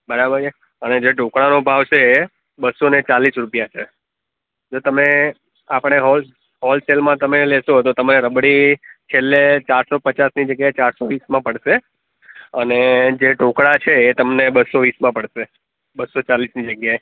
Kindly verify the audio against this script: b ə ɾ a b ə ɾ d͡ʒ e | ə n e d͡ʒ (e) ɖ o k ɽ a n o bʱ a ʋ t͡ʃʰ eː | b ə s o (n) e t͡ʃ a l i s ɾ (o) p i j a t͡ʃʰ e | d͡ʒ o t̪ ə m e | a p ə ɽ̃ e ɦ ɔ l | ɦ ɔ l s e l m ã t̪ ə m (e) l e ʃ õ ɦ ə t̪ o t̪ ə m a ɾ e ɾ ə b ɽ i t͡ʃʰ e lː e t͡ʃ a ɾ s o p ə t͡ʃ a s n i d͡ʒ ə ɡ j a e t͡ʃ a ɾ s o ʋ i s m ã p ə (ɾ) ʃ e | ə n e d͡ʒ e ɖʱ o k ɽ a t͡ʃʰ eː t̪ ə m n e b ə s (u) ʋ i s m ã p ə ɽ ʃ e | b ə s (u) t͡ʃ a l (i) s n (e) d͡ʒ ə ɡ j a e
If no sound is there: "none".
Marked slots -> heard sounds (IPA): e, n, u, e, ɽ, o, o, i, i

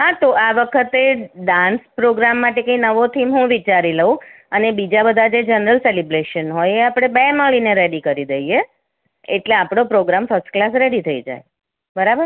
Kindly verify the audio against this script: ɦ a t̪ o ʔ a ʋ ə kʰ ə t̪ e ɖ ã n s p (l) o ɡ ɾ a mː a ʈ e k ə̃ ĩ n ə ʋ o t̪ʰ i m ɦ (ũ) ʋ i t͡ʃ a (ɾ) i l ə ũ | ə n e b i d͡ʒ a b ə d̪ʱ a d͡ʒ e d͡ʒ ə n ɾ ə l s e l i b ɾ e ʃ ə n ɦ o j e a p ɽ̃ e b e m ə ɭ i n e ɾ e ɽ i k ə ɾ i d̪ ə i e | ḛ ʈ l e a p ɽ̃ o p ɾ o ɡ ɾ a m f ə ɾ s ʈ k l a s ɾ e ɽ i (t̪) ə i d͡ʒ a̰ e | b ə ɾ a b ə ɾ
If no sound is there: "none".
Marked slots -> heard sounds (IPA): ɾ, ũ, ɾ, t̪ʰ

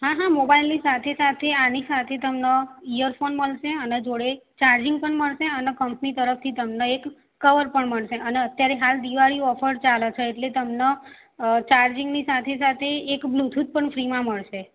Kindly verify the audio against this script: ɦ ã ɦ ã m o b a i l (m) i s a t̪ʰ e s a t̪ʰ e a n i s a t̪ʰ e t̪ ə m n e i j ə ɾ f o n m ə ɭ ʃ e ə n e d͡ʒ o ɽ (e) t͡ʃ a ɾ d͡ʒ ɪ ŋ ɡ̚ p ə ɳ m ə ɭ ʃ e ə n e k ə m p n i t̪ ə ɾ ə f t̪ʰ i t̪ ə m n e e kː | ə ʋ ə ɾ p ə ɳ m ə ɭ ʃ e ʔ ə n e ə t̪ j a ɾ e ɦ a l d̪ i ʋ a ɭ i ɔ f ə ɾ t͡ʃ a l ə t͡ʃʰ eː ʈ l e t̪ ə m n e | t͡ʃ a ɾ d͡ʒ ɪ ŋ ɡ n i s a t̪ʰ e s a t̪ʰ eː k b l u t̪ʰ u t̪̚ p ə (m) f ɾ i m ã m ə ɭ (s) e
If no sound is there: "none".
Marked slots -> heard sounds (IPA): n, e, ɳ, ʃ

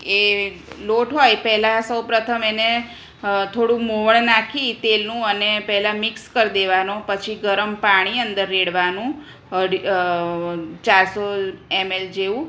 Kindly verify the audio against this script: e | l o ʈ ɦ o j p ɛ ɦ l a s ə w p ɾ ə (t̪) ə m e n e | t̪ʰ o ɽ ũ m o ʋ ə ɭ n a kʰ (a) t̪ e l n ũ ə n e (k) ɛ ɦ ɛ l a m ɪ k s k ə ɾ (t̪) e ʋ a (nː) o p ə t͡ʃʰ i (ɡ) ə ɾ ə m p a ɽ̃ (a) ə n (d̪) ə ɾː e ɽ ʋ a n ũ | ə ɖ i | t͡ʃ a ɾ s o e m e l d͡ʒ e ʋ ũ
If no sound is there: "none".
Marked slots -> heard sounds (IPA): t̪ʰ, i, p, d̪, n, ɡ, i, d̪

